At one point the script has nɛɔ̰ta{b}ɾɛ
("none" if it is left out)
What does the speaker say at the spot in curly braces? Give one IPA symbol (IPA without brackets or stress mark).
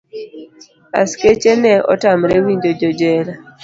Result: m